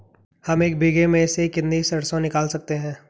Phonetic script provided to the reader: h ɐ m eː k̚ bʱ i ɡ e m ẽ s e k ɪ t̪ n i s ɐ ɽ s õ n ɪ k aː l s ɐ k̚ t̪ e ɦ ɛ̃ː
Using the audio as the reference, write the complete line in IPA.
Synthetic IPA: h ɐ m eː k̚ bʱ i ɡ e m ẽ s e k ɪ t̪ n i s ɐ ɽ s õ n ɪ k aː l s ɐ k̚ t̪ e ɦ ɛ̃ː